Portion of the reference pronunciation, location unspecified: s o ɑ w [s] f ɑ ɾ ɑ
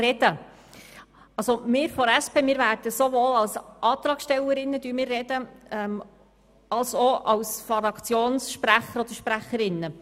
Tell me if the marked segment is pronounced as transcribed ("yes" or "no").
yes